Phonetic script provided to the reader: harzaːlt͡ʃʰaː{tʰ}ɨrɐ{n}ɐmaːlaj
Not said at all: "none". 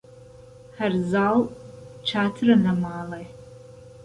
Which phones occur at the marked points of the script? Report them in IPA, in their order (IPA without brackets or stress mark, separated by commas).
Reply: tʰ, n